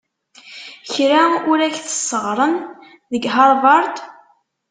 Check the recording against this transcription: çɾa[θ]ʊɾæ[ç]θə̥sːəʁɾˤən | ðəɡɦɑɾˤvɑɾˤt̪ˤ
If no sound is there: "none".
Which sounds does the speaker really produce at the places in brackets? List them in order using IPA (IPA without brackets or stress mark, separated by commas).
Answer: none, ç